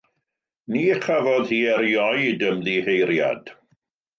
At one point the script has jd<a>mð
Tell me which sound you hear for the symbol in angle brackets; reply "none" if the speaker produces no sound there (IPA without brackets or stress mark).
ə